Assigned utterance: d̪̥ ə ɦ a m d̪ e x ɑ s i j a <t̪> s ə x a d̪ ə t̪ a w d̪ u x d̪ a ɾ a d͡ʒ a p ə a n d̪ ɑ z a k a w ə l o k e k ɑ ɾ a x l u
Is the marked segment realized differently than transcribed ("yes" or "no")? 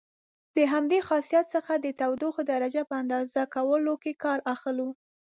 no